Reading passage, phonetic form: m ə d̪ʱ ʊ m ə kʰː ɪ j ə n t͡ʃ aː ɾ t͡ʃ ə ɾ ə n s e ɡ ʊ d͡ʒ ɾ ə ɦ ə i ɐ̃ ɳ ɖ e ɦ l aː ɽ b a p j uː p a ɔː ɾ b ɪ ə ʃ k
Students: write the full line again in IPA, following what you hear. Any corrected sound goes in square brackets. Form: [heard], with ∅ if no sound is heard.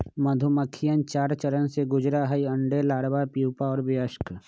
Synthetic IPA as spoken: m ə d̪ʱ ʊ m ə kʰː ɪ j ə n t͡ʃ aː ɾ t͡ʃ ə ɾ ə n s e ɡ ʊ d͡ʒ ɾ [a] ɦ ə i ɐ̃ ɳ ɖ e [∅] l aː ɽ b a p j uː p a ɔː ɾ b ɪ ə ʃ k

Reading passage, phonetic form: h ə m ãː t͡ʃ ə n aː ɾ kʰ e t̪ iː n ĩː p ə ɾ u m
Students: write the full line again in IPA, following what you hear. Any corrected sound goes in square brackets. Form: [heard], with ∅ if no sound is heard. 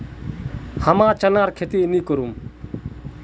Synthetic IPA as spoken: h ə m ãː t͡ʃ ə n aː ɾ kʰ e t̪ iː n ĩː [k] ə ɾ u m

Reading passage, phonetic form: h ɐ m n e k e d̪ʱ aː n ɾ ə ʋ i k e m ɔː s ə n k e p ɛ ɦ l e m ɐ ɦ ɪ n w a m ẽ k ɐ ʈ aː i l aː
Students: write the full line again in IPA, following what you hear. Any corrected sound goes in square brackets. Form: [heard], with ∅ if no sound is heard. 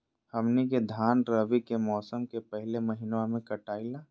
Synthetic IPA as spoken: h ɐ m n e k e d̪ʱ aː n ɾ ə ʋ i k e m ɔː s ə [m] k e p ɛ ɦ l e m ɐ ɦ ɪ n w a m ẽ k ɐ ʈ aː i l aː

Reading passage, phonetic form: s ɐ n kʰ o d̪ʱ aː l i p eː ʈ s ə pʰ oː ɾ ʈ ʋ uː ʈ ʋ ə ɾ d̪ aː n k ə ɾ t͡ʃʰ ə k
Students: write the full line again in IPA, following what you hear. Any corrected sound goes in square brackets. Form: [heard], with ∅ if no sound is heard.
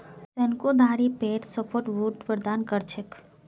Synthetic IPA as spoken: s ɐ n [k] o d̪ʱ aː [ɾ] i p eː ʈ s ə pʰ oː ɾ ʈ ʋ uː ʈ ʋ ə ɾ d̪ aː n k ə ɾ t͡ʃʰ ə k

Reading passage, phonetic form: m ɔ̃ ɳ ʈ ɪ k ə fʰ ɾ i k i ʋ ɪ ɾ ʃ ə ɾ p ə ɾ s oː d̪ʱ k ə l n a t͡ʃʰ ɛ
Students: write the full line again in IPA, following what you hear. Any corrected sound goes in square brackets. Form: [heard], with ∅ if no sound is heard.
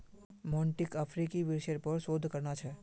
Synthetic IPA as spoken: m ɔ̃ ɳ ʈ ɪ k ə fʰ ɾ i k i ʋ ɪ ɾ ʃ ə ɾ p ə ɾ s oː d̪ʱ k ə [ɾ] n a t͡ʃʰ ɛ

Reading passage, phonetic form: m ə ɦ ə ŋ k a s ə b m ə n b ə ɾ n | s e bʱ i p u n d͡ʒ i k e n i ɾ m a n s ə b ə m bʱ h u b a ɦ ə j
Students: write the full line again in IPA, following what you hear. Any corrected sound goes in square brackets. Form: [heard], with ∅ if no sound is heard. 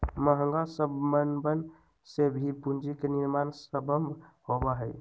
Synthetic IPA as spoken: m ə ɦ ə ŋ [ɡ] a s ə b m ə n b ə [∅] n | s e bʱ i p u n d͡ʒ i k e n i ɾ m a n s ə b ə m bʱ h [o] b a ɦ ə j

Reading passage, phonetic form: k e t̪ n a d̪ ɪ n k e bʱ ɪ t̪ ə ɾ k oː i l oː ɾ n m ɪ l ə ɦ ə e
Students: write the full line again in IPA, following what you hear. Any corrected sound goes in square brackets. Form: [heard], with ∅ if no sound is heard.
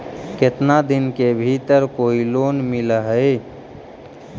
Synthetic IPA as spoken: k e t̪ n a d̪ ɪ n k e bʱ [i] t̪ ə ɾ k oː i l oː [∅] n m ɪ l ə ɦ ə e

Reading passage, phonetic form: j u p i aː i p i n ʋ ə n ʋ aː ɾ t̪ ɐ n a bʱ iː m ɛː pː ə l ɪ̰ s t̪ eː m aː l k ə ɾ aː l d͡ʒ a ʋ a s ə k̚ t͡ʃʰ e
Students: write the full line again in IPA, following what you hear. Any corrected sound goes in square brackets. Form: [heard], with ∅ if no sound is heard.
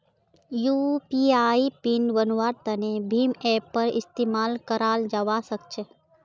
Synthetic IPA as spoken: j u p i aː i p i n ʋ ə n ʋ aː ɾ t̪ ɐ n [e] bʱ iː m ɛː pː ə [ɾ] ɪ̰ s t̪ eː m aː l k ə ɾ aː l d͡ʒ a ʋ a s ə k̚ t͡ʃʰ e

